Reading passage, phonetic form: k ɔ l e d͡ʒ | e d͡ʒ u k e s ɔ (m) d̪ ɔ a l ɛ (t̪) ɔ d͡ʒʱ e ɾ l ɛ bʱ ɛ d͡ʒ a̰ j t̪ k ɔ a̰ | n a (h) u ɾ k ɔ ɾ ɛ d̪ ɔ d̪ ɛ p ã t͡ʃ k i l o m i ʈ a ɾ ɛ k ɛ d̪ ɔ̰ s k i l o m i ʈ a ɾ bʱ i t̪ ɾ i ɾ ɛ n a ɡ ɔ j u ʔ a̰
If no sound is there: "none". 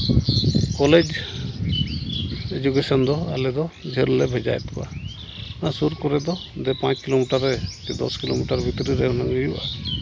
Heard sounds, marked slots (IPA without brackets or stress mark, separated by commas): n, d̪, s